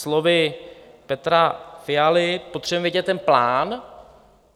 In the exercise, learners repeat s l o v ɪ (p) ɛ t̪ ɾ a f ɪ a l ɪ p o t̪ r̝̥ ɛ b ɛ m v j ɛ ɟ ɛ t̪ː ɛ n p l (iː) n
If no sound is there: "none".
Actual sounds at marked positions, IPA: p, aː

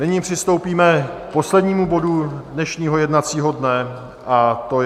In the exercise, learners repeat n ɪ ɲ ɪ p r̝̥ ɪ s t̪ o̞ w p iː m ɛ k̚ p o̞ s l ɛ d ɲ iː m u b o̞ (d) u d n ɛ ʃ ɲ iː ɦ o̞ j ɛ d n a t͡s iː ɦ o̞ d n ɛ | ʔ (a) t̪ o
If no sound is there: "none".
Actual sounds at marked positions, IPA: d, a

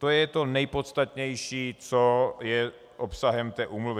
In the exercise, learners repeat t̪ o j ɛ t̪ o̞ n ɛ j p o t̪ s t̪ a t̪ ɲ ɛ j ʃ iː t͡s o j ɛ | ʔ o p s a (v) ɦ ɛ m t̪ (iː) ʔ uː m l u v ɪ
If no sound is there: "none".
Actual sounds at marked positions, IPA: none, ɛː

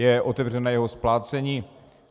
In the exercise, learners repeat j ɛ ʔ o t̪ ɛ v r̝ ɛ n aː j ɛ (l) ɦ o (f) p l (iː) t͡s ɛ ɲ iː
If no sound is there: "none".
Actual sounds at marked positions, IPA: none, s, aː

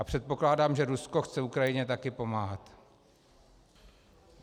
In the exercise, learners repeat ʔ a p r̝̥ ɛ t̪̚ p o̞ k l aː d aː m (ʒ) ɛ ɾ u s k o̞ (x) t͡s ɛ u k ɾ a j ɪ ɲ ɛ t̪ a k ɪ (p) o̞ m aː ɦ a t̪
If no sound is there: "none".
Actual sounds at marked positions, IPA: ʒ, x, p

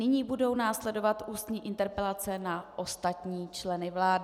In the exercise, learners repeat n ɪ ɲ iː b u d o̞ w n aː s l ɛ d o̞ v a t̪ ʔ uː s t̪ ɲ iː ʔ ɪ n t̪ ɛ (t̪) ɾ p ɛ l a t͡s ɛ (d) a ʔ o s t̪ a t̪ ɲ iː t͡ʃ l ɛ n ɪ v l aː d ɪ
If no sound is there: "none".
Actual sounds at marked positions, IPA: none, n

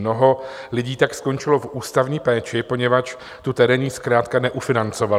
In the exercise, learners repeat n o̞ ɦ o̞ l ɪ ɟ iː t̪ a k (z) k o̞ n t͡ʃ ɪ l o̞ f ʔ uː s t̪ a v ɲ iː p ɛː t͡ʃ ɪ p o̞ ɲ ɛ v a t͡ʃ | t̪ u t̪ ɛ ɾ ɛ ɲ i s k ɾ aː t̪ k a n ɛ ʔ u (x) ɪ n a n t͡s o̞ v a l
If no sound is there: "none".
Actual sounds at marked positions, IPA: s, f

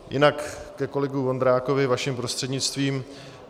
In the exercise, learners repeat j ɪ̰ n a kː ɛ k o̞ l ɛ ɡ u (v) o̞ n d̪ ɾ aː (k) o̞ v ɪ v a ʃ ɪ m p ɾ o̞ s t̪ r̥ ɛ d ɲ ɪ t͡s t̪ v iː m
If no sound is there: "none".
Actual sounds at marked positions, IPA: v, k

